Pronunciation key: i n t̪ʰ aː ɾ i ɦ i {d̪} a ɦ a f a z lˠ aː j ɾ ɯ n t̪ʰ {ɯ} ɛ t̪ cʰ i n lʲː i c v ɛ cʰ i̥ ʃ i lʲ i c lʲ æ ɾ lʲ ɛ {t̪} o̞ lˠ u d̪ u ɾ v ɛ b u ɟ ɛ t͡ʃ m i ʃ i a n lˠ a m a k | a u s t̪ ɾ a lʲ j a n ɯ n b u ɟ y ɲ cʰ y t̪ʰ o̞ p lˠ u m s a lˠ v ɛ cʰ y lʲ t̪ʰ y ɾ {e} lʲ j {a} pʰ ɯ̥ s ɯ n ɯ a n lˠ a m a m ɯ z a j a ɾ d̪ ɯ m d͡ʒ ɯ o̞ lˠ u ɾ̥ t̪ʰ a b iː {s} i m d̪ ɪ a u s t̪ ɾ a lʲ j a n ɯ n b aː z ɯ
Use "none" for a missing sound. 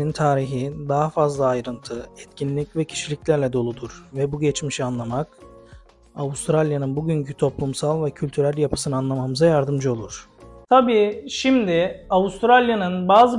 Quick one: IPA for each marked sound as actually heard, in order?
d̪, ɯ, d̪, æ, a, ʃ

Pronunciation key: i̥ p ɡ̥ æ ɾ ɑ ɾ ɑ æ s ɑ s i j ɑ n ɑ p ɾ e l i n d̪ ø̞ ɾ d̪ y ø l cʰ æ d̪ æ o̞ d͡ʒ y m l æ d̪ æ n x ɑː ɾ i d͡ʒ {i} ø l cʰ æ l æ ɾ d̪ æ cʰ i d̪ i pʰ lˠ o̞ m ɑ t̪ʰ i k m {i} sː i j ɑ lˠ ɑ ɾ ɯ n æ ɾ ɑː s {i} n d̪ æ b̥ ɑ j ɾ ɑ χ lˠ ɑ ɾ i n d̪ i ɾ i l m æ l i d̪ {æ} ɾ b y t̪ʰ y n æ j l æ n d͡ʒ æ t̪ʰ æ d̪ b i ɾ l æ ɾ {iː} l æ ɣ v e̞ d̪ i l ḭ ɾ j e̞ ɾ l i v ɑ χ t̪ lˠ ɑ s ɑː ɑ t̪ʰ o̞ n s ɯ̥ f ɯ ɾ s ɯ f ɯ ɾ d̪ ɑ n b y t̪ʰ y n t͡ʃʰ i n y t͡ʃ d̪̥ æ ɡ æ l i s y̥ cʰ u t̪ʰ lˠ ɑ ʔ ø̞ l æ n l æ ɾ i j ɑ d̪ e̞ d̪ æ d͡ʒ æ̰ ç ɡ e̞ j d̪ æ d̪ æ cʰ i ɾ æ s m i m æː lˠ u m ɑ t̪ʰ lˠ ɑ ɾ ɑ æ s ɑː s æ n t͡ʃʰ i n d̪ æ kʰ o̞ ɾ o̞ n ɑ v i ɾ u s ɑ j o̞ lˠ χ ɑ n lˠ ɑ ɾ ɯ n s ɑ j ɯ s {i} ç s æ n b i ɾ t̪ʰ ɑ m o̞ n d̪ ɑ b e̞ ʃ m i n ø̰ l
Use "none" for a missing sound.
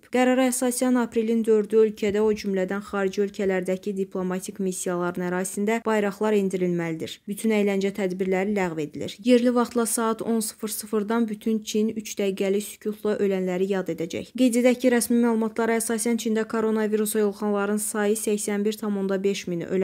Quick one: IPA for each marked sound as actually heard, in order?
i, i, i, i, i, æ

